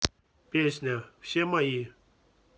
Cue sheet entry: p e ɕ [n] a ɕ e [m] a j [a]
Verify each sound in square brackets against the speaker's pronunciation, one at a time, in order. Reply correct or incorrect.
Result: correct, correct, incorrect: i

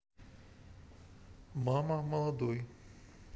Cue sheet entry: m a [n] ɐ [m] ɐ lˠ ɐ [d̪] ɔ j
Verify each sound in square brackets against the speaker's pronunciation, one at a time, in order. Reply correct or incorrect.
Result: incorrect: m, correct, correct

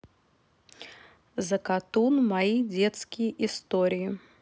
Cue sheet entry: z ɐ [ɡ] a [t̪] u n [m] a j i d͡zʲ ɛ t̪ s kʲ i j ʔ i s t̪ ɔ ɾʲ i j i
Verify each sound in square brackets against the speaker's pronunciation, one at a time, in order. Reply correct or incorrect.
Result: incorrect: k, correct, correct

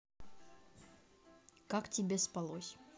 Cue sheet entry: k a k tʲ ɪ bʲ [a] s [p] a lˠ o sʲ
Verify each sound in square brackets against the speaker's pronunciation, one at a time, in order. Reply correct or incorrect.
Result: incorrect: e, correct

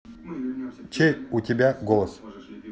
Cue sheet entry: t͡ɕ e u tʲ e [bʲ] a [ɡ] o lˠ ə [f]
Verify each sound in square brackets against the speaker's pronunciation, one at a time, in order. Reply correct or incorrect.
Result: correct, correct, incorrect: s

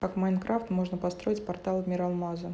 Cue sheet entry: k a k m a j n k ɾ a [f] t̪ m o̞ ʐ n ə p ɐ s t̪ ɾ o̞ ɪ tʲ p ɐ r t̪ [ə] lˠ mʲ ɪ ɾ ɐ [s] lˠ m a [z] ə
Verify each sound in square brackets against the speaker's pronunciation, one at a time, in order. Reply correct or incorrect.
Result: correct, incorrect: a, incorrect: none, correct

